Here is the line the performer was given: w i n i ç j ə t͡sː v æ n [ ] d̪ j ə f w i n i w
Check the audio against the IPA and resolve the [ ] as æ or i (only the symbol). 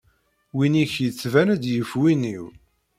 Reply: æ